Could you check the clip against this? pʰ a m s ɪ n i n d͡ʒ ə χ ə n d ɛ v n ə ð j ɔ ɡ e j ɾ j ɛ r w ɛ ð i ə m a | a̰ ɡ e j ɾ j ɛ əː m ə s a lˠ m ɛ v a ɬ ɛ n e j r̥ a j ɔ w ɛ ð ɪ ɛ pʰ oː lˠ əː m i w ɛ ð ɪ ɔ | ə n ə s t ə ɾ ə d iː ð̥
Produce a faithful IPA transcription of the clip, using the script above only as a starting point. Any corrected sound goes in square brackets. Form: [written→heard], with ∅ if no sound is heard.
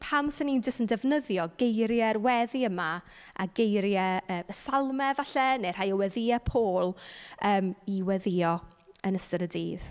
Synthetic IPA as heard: pʰ a m s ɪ n i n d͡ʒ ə [χ→s] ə n d ɛ v n ə ð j ɔ ɡ e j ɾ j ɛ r w ɛ ð i ə m a | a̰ ɡ e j ɾ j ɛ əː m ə s a lˠ m ɛ v a ɬ ɛ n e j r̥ a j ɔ w ɛ ð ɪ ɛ pʰ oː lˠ əː m i w ɛ ð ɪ ɔ | ə n ə s t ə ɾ ə d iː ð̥